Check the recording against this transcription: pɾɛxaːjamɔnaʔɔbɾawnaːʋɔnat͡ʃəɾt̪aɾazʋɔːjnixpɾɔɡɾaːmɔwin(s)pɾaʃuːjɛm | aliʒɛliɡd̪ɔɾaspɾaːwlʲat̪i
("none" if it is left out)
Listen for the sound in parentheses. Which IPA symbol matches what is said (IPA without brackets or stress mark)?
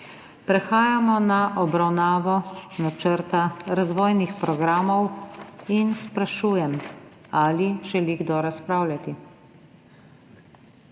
s